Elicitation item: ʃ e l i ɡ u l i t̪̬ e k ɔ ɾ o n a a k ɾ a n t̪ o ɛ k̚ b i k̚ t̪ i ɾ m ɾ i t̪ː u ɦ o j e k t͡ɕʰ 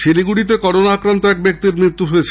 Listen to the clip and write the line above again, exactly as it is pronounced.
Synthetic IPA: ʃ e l i ɡ u ɽ i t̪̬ e k ɔ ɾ o n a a k ɾ a n t̪ o ɛ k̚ b e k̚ t̪ i ɾ m ɾ i t̪ː u ɦ o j e t͡ɕʰ